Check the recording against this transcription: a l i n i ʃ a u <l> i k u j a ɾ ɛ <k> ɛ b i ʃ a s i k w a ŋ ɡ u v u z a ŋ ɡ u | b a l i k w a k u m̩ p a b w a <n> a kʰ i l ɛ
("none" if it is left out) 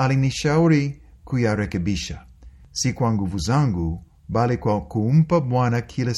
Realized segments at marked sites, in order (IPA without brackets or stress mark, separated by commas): ɾ, k, n